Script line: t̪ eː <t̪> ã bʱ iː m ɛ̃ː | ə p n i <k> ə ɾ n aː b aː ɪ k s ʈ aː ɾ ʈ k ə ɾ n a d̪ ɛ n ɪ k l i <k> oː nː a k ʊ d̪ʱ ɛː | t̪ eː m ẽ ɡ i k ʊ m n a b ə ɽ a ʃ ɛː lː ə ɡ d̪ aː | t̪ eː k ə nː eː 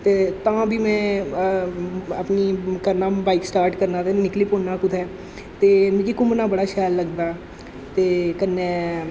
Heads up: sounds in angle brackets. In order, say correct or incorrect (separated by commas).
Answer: correct, correct, incorrect